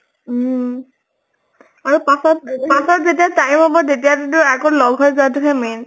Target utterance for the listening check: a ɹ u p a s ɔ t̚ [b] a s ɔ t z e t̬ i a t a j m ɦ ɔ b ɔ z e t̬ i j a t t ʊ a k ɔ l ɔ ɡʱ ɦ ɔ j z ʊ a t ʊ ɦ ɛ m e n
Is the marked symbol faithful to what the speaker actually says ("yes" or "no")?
no